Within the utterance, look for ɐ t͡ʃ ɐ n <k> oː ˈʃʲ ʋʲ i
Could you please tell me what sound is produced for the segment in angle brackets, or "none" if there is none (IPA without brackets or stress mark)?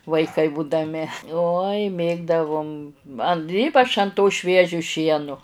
t